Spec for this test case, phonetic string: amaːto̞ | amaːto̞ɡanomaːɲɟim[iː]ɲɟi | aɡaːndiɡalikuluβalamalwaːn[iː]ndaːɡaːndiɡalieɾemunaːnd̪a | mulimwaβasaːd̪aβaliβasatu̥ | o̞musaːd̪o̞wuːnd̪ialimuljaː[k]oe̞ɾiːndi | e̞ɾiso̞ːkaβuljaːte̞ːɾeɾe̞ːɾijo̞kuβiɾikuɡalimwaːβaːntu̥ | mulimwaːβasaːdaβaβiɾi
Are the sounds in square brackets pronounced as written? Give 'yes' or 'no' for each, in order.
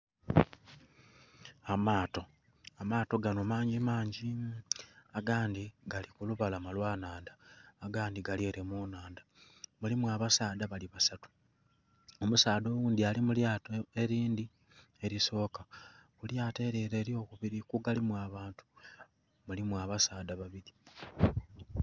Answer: no, no, no

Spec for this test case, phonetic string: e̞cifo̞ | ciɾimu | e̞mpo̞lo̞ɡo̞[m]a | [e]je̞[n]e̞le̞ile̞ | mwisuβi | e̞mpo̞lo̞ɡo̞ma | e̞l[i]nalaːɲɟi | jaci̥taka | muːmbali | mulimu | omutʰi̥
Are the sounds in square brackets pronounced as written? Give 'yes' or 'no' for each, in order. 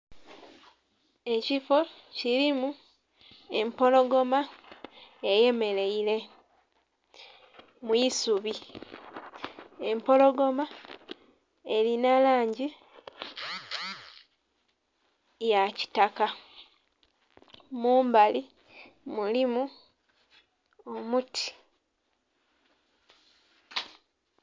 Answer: yes, yes, no, yes

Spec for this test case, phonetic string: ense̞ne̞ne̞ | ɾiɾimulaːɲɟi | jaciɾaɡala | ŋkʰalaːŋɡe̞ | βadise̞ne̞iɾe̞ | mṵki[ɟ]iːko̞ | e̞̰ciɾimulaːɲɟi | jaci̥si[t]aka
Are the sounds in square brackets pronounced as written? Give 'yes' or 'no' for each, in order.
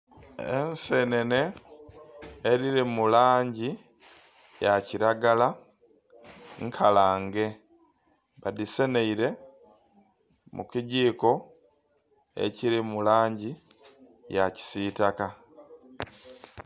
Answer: yes, yes

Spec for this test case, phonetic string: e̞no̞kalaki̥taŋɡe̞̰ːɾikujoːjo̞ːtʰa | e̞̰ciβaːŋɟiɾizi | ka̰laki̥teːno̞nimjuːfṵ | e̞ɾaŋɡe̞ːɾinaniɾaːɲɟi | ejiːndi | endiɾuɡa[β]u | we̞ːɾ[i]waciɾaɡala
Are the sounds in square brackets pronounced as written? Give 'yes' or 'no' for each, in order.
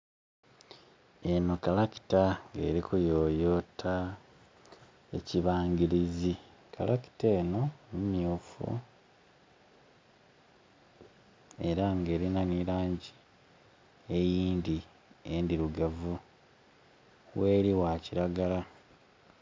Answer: no, yes

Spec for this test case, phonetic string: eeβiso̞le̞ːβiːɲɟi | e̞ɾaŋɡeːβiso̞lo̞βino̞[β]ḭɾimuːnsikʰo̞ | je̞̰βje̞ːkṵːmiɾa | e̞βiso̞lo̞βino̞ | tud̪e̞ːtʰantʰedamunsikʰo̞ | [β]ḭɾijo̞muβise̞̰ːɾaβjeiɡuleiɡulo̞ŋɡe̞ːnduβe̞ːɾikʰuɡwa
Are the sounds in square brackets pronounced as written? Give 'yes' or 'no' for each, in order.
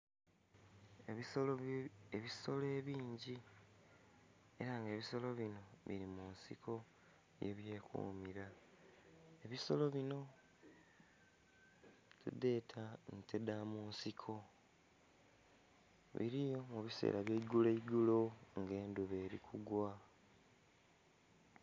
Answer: yes, yes

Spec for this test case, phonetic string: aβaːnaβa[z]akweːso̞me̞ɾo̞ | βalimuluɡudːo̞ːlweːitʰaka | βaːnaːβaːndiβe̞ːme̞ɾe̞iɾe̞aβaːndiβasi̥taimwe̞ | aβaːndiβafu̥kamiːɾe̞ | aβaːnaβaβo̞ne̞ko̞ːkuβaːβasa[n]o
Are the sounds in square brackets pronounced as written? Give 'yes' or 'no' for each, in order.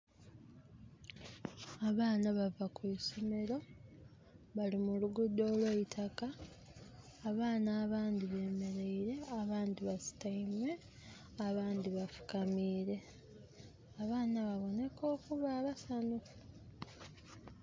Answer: no, yes

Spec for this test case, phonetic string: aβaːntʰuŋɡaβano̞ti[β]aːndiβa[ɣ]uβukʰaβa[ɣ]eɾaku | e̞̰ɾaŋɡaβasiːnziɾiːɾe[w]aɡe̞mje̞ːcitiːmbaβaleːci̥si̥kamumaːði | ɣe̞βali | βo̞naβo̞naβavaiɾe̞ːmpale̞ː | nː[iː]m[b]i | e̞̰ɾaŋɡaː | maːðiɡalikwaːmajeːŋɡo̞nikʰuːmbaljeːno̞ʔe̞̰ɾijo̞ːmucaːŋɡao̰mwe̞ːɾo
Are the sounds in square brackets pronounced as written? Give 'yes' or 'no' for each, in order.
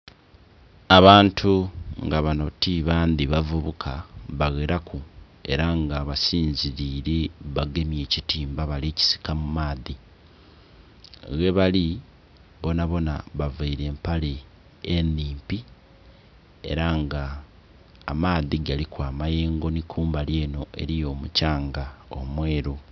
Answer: yes, no, yes, no, yes, no

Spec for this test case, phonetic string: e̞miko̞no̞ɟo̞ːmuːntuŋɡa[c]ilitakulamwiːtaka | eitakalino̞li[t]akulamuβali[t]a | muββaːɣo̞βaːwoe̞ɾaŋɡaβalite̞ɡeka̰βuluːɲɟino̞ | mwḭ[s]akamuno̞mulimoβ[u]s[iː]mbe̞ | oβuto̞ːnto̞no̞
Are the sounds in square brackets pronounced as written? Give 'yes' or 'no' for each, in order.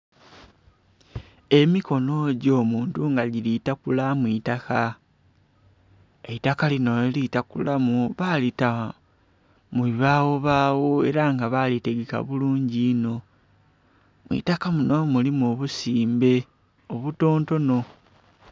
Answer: no, yes, yes, no, yes, yes

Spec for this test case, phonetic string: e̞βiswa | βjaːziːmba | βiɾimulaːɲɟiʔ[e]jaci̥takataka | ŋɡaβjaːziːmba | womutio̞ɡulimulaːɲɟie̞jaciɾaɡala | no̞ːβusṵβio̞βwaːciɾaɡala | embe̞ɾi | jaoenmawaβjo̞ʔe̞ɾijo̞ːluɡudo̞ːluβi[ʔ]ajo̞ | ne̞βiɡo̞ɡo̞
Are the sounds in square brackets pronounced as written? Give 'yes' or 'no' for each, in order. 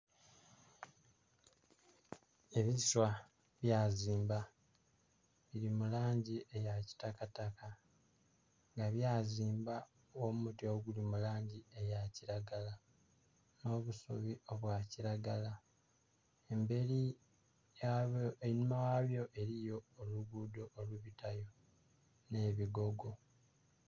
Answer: yes, no

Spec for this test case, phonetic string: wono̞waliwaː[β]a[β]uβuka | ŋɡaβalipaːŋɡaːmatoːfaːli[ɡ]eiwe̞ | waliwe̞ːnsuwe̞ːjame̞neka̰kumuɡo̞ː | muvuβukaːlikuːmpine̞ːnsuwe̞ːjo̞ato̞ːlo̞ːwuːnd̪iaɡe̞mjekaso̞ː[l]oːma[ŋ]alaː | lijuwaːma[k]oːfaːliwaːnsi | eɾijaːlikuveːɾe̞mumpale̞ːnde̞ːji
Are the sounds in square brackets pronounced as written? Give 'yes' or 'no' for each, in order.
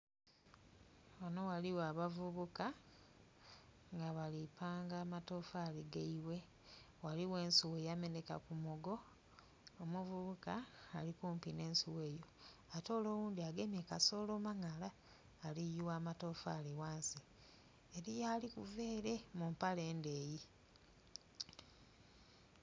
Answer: yes, no, yes, yes, yes, no

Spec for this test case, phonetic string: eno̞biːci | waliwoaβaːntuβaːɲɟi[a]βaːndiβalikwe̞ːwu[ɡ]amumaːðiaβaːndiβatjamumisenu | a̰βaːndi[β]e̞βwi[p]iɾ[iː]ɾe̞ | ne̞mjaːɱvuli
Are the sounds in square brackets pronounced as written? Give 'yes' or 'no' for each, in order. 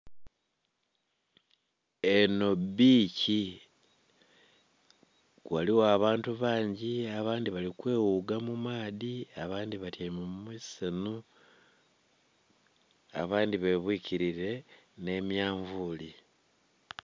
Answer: yes, yes, yes, no, no

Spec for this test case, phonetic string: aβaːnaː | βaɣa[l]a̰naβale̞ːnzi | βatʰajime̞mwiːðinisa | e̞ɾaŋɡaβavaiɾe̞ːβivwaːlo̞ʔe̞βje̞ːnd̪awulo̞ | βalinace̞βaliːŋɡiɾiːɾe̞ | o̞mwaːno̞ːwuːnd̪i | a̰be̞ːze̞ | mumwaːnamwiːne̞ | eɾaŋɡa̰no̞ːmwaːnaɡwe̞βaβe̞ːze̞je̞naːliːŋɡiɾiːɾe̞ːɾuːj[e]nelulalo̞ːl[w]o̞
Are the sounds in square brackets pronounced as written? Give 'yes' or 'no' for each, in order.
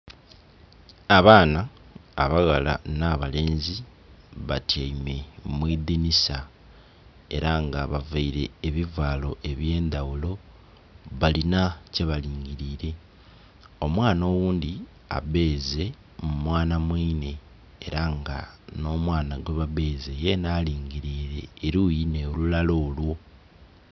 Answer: yes, no, yes

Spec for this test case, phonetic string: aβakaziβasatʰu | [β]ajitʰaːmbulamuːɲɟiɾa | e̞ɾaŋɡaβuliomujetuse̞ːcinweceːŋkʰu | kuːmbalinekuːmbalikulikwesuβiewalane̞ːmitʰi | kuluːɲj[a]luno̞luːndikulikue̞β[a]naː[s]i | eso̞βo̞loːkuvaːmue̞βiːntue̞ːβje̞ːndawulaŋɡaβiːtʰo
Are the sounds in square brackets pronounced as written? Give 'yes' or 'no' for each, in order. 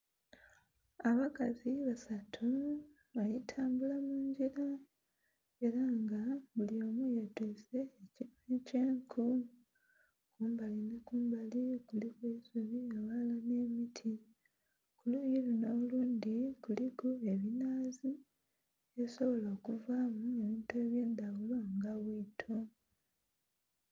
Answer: yes, no, no, no

